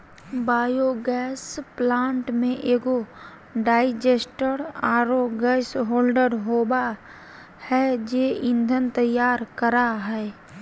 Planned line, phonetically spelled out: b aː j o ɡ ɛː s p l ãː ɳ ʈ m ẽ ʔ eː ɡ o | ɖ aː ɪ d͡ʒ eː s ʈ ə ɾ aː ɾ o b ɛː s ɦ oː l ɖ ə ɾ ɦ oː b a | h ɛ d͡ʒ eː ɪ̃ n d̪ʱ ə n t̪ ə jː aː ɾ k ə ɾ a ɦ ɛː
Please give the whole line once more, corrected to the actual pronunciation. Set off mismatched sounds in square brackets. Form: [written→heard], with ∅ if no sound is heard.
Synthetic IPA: b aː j o ɡ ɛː s p l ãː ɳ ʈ m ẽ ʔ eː ɡ o | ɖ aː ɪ d͡ʒ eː s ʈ ə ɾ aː ɾ o [b→ɡ] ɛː s ɦ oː l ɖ ə ɾ ɦ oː b a | h ɛ d͡ʒ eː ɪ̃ n d̪ʱ ə n t̪ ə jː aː ɾ k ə ɾ a ɦ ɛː

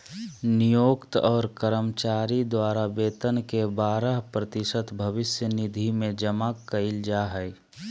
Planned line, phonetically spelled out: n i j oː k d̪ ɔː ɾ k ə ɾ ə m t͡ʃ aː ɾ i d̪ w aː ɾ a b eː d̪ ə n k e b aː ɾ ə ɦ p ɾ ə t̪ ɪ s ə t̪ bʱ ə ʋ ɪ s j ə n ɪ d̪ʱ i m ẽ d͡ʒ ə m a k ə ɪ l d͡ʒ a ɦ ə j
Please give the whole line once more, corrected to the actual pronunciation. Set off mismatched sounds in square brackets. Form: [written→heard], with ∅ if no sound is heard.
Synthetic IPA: n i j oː k [d̪→t̪] ɔː ɾ k ə ɾ ə m t͡ʃ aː ɾ i d̪ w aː ɾ a b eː [d̪→t̪] ə n k e b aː ɾ ə ɦ p ɾ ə t̪ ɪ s ə t̪ bʱ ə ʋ ɪ s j ə n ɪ d̪ʱ i m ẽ d͡ʒ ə m a k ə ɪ l d͡ʒ a ɦ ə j

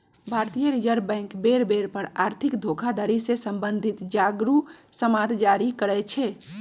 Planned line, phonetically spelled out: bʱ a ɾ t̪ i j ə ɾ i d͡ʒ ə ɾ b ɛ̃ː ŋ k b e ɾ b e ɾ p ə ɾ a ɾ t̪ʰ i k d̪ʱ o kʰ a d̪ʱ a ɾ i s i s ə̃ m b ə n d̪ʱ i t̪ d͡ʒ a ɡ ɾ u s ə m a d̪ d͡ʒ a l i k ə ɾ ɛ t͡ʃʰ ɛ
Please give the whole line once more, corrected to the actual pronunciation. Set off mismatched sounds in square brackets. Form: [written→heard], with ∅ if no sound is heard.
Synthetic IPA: bʱ a ɾ t̪ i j ə ɾ i d͡ʒ ə ɾ b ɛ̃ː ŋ k b e ɾ b e ɾ p ə ɾ a ɾ t̪ʰ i k d̪ʱ o kʰ a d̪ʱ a ɾ i s [i→e] s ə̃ m b ə n d̪ʱ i t̪ d͡ʒ a ɡ ɾ u s ə m a d̪ d͡ʒ a [l→ɾ] i k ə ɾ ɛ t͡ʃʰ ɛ

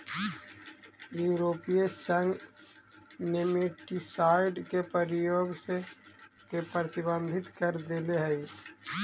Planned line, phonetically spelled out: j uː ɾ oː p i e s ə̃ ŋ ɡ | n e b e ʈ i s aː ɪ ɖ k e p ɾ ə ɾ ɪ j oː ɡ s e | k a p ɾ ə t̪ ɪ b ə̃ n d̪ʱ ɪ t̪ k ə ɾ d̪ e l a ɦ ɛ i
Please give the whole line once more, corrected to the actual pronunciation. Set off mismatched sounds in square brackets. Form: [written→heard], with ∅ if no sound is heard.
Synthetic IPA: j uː ɾ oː p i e s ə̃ ŋ ɡ | n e [b→m] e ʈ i s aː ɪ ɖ k e p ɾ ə ɾ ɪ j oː ɡ s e | k [a→e] p ɾ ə t̪ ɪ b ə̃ n d̪ʱ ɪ t̪ k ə ɾ d̪ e l [a→e] ɦ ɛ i

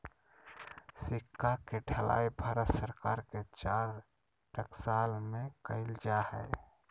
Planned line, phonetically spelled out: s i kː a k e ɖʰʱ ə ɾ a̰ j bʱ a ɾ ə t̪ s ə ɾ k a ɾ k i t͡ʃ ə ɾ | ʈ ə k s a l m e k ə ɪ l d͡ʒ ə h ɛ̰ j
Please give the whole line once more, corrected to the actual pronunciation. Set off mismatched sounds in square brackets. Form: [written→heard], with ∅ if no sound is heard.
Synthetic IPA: s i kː a k e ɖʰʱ ə [ɾ→l] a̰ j bʱ a ɾ ə t̪ s ə ɾ k a ɾ k [i→e] t͡ʃ [ə→a] ɾ | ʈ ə k s a l m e k ə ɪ l d͡ʒ [ə→a] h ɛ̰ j

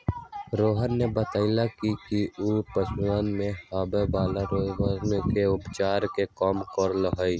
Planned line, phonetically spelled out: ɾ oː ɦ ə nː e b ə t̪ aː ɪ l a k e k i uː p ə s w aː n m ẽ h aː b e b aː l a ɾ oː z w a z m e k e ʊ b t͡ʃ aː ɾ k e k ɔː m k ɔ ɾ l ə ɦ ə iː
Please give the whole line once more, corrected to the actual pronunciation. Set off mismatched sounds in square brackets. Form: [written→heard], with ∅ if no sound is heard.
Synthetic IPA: ɾ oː ɦ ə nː e b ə t̪ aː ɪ l a k [e→i] k i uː p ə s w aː n m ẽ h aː b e b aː l a ɾ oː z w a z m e k e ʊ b t͡ʃ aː ɾ k e k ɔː m k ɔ ɾ l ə ɦ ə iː

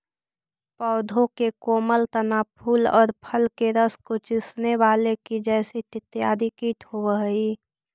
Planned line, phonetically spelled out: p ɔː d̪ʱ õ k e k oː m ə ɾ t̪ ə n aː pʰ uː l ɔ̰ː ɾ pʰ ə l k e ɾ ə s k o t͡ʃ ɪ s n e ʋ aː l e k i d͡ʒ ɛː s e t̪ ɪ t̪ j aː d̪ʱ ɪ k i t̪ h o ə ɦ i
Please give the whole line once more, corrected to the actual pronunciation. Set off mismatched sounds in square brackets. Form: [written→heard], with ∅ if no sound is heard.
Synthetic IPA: p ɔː d̪ʱ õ k e k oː m ə [ɾ→l] t̪ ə n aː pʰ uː l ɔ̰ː ɾ pʰ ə l k e ɾ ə s k o t͡ʃ ɪ s n e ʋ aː l e k i d͡ʒ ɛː s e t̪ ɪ t̪ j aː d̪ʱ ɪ k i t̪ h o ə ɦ i

